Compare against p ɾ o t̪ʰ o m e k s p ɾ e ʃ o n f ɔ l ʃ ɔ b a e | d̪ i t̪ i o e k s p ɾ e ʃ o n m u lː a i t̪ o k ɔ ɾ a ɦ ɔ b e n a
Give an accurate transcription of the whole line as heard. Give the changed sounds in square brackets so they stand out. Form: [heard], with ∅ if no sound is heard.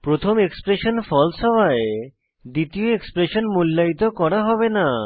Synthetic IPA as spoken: p ɾ o t̪ʰ o m e k s p ɾ e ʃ o n f ɔ l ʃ ɔ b a e | d̪ i t̪ i o e k s p ɾ e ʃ o n m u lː a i t̪ o k ɔ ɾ a ɦ ɔ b e n a